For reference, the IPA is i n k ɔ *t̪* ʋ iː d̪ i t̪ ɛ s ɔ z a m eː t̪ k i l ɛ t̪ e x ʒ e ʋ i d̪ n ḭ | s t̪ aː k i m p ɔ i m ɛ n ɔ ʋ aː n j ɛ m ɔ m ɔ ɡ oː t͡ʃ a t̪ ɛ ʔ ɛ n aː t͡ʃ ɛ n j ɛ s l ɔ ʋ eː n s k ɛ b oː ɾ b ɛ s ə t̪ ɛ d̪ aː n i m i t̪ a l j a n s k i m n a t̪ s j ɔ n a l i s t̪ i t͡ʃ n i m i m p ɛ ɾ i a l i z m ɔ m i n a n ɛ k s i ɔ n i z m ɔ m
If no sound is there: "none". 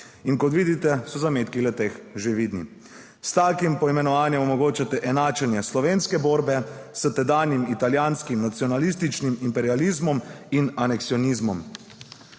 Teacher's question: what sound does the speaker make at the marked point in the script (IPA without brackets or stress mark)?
t̪